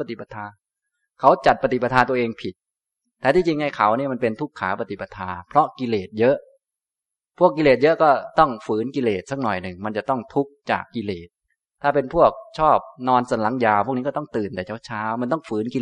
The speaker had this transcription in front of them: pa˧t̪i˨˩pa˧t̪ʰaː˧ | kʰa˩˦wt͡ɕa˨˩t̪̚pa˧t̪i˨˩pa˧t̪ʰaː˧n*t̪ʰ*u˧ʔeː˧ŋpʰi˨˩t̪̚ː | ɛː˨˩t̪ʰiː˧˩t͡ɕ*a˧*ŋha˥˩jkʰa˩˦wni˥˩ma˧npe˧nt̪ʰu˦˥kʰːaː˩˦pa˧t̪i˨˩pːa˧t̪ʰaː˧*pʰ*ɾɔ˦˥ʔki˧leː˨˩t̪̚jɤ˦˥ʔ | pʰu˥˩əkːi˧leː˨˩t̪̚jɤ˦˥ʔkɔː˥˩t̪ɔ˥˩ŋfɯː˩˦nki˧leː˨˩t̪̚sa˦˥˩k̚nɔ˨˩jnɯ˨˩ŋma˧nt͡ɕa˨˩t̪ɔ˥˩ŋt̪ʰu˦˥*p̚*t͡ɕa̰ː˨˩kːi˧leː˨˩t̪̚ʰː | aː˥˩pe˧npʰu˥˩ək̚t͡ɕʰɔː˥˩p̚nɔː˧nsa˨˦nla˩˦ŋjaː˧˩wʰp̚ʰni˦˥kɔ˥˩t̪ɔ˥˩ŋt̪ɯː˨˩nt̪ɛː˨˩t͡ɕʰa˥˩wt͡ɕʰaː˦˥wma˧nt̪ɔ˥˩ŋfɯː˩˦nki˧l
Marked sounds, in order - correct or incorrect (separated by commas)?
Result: incorrect, incorrect, correct, incorrect